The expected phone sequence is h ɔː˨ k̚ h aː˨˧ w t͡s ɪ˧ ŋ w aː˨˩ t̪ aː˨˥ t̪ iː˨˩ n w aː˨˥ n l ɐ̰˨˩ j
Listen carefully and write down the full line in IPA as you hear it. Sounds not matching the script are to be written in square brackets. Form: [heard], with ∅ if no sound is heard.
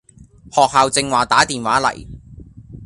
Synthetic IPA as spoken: h ɔː˨ k̚ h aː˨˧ w t͡s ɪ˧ ŋ w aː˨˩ t̪ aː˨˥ t̪ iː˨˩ n w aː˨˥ [∅] l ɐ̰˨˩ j